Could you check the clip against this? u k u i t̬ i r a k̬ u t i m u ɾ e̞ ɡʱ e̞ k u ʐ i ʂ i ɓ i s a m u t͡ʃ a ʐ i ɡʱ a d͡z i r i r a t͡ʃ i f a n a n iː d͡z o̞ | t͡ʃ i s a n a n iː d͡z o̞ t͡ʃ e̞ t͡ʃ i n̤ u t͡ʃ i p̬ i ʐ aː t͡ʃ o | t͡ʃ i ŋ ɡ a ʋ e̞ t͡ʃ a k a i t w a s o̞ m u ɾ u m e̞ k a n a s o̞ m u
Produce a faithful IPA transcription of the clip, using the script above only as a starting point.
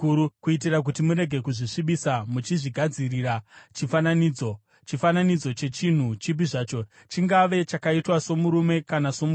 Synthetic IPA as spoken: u k u i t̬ i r a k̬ u t i m u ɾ e̞ ɡʱ e̞ k u ʐ i ʂ i ɓ i s a m u t͡ʃ i ʐ i ɡʱ a d͡z i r i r a t͡ʃ i f a n a n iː d͡z o̞ | t͡ʃ i f a n a n i d͡z o̞ t͡ʃ e̞ t͡ʃ i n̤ u t͡ʃ i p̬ i ʐ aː t͡ʃ o | t͡ʃ i ŋ ɡ a ʋ e̞ t͡ʃ a k a i t w a s o̞ m u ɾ u m e̞ k a n a s o̞ m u